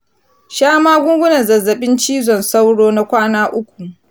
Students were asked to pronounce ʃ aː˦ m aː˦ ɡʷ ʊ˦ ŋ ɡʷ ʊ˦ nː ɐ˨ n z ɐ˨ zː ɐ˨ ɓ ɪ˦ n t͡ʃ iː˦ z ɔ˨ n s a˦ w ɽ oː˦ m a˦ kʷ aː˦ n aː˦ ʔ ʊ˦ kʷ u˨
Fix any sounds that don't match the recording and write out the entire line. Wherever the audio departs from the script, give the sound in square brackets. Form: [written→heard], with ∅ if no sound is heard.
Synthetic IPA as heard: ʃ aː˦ m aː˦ ɡʷ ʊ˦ ŋ ɡʷ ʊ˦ [nː→n] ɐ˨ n z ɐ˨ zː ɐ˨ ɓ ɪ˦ n t͡ʃ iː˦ z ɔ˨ n s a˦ w ɽ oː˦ [m→n] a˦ kʷ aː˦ n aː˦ ʔ ʊ˦ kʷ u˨